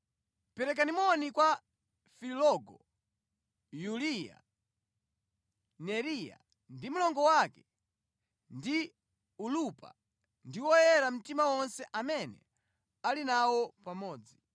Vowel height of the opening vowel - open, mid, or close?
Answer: mid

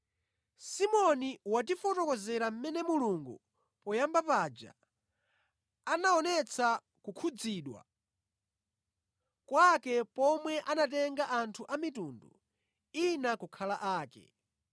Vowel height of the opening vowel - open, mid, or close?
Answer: close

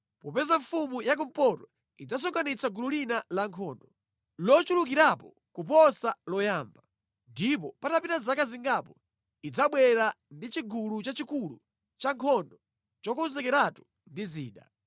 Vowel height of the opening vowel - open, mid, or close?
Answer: mid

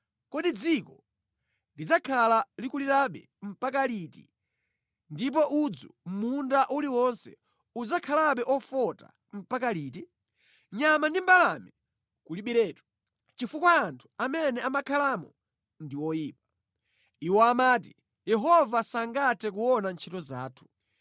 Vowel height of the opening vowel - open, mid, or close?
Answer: mid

